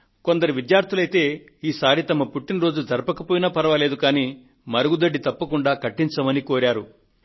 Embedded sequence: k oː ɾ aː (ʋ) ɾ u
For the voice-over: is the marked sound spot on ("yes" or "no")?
no